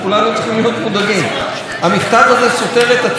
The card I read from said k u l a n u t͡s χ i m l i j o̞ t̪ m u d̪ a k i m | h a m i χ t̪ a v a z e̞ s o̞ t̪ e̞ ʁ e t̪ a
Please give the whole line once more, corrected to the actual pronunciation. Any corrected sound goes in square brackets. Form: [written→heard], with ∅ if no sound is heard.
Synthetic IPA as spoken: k u l a n u t͡s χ i m l i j o̞ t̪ m u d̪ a [k→ɡ] i m | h a m i χ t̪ a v a z e̞ s o̞ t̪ e̞ ʁ e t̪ a